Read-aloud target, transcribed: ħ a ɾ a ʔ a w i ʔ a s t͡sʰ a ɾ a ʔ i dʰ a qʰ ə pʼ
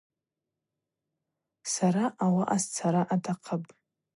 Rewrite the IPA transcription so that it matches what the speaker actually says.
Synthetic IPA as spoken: s a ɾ a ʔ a w a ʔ a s t͡sʰ a ɾ a ʔ a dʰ a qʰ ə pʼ